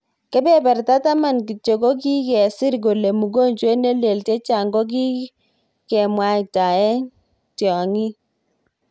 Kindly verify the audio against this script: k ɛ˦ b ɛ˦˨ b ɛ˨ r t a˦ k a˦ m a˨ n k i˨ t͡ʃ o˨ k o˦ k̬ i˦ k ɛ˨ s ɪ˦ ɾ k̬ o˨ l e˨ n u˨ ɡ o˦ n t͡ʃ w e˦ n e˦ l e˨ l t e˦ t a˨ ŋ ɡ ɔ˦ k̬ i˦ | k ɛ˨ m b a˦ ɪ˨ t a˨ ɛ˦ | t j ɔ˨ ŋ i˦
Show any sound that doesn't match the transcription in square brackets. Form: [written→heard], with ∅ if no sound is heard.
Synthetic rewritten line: k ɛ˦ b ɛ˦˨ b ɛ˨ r t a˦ [k→t] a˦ m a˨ n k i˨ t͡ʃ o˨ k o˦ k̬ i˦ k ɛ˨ s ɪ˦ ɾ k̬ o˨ l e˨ [n→m] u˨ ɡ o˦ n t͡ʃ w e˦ n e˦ l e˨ l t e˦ [t→t͡ʃ] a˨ ŋ ɡ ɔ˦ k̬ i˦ | k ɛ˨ m [b→w] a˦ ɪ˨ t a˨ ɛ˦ | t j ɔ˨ ŋ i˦